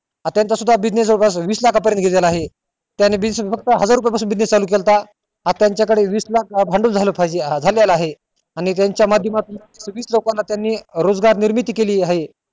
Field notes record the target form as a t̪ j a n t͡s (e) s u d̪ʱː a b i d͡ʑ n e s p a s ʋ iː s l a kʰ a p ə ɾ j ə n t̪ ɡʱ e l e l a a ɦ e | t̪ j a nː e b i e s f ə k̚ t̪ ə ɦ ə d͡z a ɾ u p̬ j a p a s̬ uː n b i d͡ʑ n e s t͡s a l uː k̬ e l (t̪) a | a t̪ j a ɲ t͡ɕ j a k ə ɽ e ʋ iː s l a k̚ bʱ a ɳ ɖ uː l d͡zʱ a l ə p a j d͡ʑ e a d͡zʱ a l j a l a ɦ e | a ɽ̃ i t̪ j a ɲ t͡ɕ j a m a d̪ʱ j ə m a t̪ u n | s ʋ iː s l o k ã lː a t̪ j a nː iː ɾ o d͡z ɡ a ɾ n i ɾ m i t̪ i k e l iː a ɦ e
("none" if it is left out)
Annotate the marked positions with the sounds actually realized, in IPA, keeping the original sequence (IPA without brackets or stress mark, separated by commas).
a, t̪